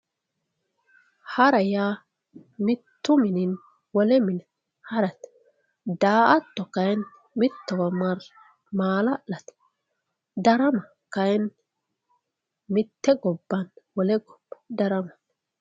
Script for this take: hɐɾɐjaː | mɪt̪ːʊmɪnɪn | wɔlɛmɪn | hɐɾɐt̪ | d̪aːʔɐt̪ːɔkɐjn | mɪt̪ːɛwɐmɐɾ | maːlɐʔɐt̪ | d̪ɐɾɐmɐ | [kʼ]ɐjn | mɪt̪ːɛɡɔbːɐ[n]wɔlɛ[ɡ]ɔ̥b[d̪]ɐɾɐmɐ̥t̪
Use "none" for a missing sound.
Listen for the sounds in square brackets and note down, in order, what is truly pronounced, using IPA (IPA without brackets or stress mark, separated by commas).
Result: k, n, ɡ, d̪